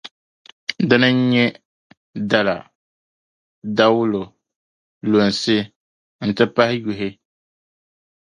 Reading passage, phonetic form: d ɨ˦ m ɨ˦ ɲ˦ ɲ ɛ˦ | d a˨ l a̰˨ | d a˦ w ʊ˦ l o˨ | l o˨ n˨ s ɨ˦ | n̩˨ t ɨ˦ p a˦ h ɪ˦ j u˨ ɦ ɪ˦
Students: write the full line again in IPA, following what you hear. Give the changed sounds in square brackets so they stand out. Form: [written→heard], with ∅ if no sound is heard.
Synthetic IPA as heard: d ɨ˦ [m→n] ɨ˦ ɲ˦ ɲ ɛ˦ | d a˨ l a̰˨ | d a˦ w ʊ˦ l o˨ | l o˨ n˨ s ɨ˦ | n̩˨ t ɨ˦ p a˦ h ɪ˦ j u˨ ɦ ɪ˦